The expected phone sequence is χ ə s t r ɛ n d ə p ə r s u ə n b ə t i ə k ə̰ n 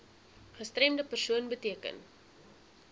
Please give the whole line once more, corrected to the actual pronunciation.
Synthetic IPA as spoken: χ ə s t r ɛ m d ə p ə r s u ə n b ə t i ə k ə̰ n